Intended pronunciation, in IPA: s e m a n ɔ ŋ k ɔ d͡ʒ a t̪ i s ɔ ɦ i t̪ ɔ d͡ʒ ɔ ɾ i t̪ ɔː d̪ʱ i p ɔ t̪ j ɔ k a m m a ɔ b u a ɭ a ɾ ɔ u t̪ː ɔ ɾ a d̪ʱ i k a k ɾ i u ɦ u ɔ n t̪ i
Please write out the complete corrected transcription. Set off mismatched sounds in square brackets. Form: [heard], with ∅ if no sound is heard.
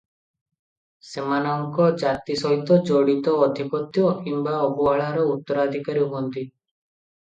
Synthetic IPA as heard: s e m a n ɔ ŋ k ɔ d͡ʒ a t̪ i s ɔ ɦ i t̪ ɔ d͡ʒ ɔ [ɽ] i t̪ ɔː d̪ʱ i p ɔ t̪ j ɔ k [i] m [b] a ɔ b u a ɭ a ɾ ɔ u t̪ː ɔ ɾ a d̪ʱ i k a [∅] ɾ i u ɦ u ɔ n t̪ i